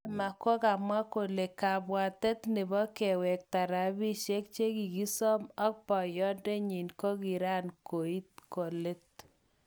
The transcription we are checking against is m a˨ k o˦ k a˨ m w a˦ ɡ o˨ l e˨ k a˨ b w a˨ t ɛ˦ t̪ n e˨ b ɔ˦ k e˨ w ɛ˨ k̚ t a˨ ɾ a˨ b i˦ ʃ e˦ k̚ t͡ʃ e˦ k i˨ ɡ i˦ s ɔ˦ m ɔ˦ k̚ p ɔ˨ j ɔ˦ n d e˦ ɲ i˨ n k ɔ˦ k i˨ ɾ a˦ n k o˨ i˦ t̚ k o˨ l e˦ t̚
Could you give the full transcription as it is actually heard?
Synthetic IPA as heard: m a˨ k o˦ k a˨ m w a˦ k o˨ l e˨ k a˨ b w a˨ t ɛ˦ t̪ n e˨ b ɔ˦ k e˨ w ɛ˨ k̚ t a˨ ɾ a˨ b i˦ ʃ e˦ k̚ t͡ʃ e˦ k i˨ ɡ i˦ s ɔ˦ m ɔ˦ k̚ p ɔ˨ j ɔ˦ n d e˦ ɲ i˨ n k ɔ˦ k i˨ ɾ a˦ n k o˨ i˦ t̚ k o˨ l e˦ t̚